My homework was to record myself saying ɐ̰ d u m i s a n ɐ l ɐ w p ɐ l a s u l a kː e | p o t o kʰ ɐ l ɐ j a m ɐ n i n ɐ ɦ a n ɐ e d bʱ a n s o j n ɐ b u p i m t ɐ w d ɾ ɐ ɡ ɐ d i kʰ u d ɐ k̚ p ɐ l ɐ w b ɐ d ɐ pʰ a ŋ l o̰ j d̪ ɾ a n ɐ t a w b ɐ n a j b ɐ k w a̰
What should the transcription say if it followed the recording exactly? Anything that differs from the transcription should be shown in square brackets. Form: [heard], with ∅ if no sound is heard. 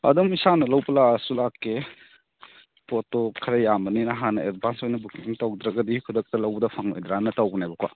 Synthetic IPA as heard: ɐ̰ d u m i s a n ɐ l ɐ w p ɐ l a s u l a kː e | p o t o kʰ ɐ [ɾ] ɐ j a m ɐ n i n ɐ ɦ a n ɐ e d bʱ a n s o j n ɐ b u [k] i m t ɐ w d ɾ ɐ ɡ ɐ d i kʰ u d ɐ k̚ [t] ɐ l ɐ w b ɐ d ɐ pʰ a ŋ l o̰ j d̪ ɾ a n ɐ t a w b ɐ n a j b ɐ k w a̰